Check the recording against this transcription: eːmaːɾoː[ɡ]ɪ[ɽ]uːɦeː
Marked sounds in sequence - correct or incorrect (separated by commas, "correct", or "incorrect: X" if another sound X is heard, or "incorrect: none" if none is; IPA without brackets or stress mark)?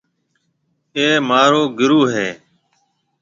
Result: correct, incorrect: ɾ